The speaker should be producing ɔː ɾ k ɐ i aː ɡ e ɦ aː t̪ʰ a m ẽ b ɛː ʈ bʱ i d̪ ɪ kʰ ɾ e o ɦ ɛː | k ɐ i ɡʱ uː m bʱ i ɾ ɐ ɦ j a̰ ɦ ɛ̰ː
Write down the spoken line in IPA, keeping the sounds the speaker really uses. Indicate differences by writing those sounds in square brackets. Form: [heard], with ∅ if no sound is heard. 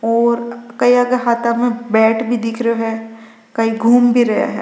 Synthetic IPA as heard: ɔː ɾ k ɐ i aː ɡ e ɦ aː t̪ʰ a m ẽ b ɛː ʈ bʱ i d̪ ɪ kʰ ɾ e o ɦ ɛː | k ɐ i ɡʱ uː m bʱ i ɾ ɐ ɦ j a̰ ɦ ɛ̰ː

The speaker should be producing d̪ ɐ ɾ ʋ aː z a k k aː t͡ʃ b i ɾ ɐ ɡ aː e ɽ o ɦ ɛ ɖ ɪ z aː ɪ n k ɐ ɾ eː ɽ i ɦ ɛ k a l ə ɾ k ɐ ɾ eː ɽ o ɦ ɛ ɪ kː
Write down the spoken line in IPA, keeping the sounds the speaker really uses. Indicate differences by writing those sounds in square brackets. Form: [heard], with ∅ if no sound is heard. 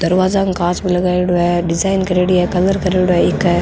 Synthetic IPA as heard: d̪ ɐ ɾ ʋ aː z a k k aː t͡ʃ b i [l] ɐ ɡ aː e ɽ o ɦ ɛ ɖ ɪ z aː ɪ n k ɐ ɾ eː ɽ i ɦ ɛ k [ɐ] l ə ɾ k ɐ ɾ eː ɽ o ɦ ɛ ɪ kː

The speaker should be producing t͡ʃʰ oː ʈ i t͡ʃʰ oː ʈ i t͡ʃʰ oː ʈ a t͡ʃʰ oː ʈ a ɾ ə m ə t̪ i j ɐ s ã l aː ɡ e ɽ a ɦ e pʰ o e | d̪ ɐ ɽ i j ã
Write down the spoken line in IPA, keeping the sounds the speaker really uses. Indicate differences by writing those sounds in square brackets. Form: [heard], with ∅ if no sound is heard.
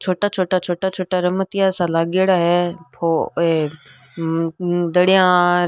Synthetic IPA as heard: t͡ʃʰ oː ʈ [a] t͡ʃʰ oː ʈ [a] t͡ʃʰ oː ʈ a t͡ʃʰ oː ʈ a ɾ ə m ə t̪ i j [a] s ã l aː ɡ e ɽ a ɦ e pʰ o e | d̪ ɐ ɽ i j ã

